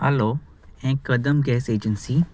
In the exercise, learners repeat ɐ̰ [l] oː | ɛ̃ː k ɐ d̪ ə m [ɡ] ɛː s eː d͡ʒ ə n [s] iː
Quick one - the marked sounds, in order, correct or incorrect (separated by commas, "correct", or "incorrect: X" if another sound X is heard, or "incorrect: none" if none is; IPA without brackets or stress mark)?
correct, correct, correct